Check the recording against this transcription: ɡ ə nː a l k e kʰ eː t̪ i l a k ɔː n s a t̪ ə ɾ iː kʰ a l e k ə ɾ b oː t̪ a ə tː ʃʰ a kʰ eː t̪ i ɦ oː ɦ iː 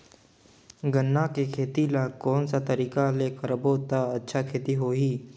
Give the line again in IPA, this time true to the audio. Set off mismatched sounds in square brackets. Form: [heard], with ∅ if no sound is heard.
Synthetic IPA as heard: ɡ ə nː a [∅] k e kʰ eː t̪ i l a k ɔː n s a t̪ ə ɾ iː [k] a l e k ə ɾ b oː t̪ a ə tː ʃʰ a kʰ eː t̪ i ɦ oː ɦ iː